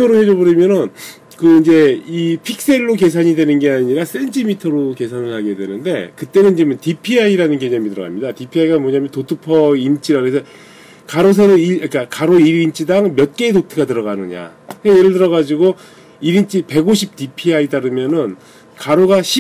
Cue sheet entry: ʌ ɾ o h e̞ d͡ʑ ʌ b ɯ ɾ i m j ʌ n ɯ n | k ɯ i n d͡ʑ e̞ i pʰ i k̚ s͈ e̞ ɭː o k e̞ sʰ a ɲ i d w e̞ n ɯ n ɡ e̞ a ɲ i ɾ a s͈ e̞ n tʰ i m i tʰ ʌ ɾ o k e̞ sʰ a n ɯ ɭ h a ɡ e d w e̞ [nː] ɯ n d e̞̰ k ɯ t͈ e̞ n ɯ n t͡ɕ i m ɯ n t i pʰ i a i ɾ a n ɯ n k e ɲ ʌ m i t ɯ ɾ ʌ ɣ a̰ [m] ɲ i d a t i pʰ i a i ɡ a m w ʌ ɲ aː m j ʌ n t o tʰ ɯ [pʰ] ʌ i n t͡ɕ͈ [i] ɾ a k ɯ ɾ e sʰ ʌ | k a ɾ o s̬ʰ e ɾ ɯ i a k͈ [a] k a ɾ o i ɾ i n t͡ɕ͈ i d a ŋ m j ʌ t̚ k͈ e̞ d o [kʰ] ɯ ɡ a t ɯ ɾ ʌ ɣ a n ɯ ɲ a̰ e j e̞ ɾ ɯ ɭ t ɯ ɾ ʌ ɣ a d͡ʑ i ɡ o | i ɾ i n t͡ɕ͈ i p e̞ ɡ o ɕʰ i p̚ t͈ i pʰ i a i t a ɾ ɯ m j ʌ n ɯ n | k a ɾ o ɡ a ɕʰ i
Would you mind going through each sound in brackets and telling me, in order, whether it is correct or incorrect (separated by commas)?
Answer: incorrect, correct, correct, correct, correct, incorrect